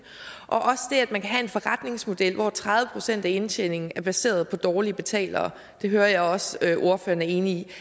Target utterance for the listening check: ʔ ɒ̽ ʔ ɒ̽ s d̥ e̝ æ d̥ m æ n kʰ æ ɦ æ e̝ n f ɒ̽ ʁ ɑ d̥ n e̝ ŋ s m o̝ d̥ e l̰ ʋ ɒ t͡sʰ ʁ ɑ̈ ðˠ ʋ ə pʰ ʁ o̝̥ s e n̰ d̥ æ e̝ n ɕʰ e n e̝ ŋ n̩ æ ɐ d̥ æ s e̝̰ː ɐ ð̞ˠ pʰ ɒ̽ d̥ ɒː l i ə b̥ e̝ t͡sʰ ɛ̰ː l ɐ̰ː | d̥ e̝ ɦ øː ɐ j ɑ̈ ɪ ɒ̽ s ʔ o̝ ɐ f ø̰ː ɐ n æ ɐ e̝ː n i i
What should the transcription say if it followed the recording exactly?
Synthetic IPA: ʔ ɒ̽ ʔ ɒ̽ s d̥ e̝ æ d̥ m æ n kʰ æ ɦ æ e̝ n f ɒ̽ ʁ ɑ d̥ n e̝ ŋ s m o̝ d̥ e l̰ ʋ ɒ t͡sʰ ʁ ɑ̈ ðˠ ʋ ə pʰ ʁ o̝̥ s e n̰ d̥ æ e̝ n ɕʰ e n e̝ ŋ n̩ æ ɐ b̥ æ s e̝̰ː ɐ ð̞ˠ pʰ ɒ̽ d̥ ɒː l i ə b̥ e̝ t͡sʰ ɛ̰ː l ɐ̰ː | d̥ e̝ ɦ øː ɐ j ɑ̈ ɪ ɒ̽ s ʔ o̝ ɐ f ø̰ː ɐ n æ ɐ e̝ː n i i